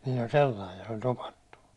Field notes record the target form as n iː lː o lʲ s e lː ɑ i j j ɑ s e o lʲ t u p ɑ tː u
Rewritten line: n iː lː o lʲ s e lː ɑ i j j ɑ s e o lʲ t o p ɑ tː u

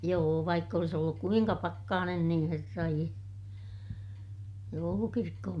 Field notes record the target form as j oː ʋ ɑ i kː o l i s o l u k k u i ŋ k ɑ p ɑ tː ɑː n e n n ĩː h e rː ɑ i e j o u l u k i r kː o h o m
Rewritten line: j oː ʋ ɑ i kː o l i s o lː u k k u i ŋ k ɑ p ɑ kː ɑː n e n n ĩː h e rː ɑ i e j o u l u k i r kː o h o m

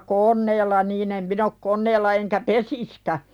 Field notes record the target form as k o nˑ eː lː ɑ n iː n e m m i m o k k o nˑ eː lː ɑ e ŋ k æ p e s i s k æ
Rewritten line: k o nˑ eː lː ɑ n iː n e m m i n o k k o nˑ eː lː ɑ e ŋ k æ p e s i s k æ

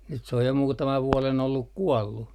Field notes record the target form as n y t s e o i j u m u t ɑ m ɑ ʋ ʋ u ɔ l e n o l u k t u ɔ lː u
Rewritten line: n y t s e o j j o m uː t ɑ m ɑ ʋ ʋ u ɔ l e n o lː u k k u ɔ lː u

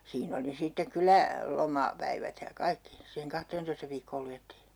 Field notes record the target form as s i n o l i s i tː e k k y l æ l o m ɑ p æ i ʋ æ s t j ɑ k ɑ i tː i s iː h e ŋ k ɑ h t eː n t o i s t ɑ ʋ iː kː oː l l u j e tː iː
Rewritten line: s iː n o l i s i tː e k k y l æ l o m ɑ p æ i ʋ æ t j ɑ k ɑ i kː i s iː h e ŋ k ɑ h t eː n t o i s t ɑ ʋ iː kː oː l l u j e tː iː

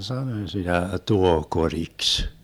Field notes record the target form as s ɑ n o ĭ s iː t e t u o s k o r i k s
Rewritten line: s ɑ n o ĭ s i t æ t u o h k o r i k s

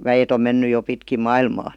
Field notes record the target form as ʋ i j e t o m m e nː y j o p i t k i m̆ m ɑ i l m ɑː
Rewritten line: ʋ æ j e t o m m e nː y j o p i t k i m̆ m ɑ i l m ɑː

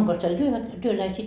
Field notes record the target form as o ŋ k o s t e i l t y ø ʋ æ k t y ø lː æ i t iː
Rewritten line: o ŋ k o s t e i l t y ø ʋ æ k t y ø l æ i s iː

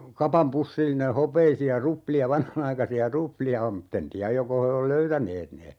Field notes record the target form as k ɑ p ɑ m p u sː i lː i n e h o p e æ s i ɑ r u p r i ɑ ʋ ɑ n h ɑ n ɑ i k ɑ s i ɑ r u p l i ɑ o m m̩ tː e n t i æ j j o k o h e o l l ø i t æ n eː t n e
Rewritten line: k ɑ p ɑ m p u sː i lː i n e h o p e i s i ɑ r u p l i ɑ ʋ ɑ n h ɑ n ɑ i k ɑ s i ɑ r u p l i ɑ o m m̩ tː e n t i æ j j o k o h e o l l ø y t æ n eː t n e

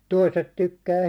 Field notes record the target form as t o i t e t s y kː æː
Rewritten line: t o i s e t t y kː æː

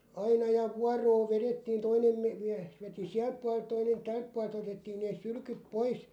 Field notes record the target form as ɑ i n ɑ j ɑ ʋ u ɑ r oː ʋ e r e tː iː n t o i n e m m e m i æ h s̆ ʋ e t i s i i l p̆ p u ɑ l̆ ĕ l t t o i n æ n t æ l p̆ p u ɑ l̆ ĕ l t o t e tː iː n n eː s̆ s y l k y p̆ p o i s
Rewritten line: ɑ i n ɑ j ɑ ʋ u ɑ r oː ʋ e r e tː iː n t o i n e m m e m i æ h s̆ ʋ e t i s i æ l p̆ p u ɑ l̆ ĕ l t t o i n e n t æ l p̆ p u ɑ l̆ ĕ l t o t e tː iː n n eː s̆ s y l k y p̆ p o i s

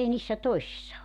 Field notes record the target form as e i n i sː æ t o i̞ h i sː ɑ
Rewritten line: e i n iː sː æ t o i̞ s i sː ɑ

